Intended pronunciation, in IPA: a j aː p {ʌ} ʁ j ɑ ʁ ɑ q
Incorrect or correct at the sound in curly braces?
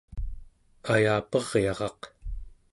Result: correct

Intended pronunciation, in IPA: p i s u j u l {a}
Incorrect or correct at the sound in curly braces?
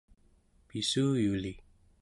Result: incorrect: i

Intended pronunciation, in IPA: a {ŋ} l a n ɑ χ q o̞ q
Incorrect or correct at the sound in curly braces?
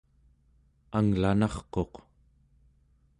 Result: correct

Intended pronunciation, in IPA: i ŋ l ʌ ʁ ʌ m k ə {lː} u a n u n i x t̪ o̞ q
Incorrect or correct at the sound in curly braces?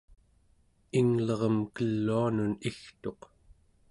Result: correct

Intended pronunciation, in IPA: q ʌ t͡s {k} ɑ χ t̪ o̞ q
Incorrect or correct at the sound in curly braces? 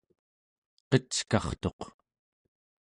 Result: correct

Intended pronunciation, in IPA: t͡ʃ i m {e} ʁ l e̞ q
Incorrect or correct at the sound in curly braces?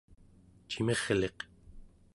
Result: correct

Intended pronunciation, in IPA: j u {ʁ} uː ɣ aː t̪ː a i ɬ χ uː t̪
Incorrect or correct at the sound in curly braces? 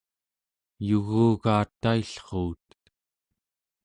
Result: incorrect: ɣ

